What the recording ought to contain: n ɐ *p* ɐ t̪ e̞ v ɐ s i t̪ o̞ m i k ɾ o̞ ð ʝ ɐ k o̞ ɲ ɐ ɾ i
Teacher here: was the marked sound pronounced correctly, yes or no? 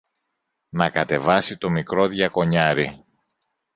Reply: no